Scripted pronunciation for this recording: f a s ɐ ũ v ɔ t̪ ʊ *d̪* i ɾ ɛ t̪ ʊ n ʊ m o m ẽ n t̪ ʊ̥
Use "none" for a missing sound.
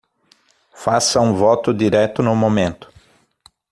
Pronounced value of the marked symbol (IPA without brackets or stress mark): d̪